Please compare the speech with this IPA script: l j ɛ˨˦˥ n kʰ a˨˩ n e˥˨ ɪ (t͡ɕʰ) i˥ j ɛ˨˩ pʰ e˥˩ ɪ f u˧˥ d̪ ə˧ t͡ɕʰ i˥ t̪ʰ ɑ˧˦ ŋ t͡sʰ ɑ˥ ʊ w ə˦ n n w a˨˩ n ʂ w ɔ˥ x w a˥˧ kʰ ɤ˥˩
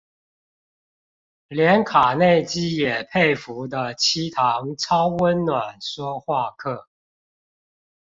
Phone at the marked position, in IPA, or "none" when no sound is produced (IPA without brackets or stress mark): t͡ɕ